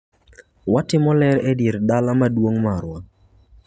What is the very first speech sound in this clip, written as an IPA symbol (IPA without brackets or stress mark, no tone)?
w